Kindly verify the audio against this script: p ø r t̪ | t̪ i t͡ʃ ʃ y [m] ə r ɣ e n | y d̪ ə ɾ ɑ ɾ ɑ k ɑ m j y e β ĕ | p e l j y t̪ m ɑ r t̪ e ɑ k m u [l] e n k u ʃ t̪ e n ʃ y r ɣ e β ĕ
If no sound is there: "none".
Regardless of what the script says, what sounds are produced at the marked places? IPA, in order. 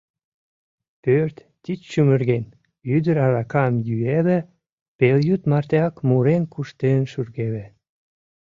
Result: m, ɾ

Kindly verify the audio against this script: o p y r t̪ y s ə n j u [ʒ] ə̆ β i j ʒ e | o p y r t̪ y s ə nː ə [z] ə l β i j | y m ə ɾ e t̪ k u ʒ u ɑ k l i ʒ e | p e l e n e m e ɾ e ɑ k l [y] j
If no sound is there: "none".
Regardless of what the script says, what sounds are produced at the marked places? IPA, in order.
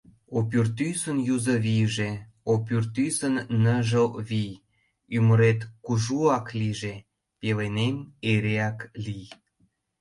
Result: z, ʒ, i

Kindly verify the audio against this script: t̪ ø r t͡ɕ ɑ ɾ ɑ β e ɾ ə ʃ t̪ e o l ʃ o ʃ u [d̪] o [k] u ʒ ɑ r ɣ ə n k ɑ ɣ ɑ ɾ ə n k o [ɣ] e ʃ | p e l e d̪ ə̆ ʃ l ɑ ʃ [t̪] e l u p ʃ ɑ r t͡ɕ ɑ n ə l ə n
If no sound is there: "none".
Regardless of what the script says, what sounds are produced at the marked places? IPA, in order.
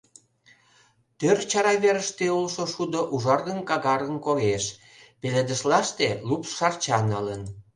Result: d̪, ʔ, ɣ, t̪

